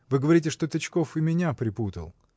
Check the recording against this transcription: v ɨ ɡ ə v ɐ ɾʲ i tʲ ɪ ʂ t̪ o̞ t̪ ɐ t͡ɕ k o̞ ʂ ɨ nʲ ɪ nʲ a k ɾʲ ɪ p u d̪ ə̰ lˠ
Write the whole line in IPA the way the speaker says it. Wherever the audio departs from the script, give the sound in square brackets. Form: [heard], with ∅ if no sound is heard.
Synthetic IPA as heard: v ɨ ɡ ə v ɐ ɾʲ i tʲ ɪ ʂ t̪ o̞ t̪ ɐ t͡ɕ k o̞ [f] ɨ [mʲ] ɪ nʲ a [p] ɾʲ ɪ p u [t̪] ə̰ lˠ